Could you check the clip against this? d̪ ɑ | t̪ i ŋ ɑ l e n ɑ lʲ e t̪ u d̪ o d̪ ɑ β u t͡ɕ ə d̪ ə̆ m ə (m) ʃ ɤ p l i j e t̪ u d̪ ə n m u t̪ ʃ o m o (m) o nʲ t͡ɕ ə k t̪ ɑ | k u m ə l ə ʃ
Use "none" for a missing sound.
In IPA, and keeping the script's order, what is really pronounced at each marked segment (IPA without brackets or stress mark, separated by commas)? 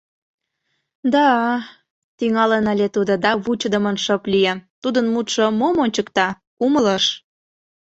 n, m